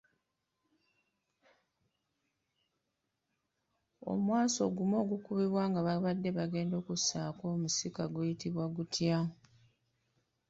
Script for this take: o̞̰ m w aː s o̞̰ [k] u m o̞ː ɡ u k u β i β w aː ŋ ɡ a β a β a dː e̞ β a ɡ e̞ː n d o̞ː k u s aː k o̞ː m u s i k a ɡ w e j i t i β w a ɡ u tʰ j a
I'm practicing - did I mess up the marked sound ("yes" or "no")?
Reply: yes